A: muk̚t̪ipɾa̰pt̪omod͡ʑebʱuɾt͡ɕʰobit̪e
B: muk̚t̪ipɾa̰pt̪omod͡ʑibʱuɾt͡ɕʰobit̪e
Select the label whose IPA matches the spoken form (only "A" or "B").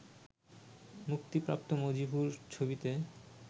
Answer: B